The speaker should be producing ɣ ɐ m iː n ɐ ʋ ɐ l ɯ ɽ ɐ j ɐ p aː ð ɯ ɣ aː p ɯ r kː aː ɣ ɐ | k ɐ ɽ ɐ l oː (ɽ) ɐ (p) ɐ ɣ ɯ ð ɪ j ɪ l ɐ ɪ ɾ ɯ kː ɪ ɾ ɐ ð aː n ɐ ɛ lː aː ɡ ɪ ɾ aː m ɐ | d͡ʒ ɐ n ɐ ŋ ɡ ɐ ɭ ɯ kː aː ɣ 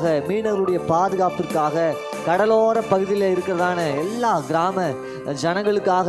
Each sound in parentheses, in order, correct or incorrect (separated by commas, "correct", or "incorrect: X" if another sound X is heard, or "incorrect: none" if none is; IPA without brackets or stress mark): incorrect: ɾ, correct